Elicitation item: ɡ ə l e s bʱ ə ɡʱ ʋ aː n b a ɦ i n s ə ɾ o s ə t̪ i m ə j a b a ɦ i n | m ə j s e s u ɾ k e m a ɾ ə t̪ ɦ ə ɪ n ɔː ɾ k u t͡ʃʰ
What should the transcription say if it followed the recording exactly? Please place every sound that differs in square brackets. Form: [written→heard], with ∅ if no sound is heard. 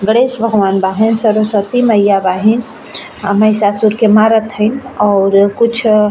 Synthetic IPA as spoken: ɡ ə [l→ɽ] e s bʱ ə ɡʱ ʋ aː n b a ɦ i n s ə ɾ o s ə t̪ i m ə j a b a ɦ i n | m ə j s [e→a] s u ɾ k e m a ɾ ə t̪ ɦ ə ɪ n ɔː ɾ k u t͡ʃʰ